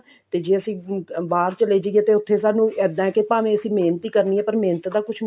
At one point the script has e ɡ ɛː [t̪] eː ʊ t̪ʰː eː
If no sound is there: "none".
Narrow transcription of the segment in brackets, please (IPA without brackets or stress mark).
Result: t̪